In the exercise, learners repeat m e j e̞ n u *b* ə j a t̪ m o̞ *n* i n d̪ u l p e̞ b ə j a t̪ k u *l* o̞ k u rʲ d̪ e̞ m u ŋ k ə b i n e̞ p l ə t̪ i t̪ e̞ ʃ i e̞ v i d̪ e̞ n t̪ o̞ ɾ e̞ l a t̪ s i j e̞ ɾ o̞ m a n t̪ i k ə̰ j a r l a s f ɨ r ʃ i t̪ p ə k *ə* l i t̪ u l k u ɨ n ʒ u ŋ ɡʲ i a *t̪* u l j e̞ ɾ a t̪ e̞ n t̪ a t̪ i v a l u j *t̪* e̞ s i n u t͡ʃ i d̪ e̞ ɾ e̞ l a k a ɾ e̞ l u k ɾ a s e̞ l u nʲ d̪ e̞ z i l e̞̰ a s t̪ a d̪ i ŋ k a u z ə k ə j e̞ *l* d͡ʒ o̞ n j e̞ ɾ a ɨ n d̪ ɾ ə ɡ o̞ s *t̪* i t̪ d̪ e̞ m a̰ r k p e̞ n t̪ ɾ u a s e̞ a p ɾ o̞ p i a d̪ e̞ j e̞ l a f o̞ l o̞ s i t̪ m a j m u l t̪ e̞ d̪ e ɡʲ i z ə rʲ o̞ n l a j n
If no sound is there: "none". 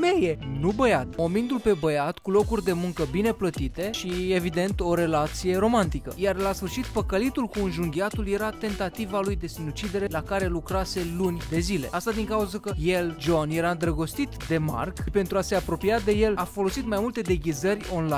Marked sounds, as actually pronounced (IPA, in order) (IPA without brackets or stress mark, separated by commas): b, m, l, ə, t̪, d̪, l, t̪